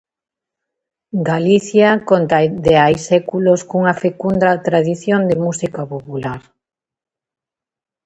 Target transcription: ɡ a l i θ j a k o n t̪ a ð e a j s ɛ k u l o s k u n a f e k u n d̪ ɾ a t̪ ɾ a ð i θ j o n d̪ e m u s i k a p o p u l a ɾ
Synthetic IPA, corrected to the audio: ɡ a l i θ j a k o n t̪ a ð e a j s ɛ k u l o s k u ŋ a f e k u n d̪ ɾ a t̪ ɾ a ð i θ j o n d̪ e m u s i k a p o p u l a ɾ